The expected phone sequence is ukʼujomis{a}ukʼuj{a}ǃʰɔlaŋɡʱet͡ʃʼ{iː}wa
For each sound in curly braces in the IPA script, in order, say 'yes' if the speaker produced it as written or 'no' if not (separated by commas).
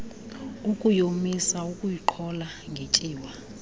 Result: yes, no, yes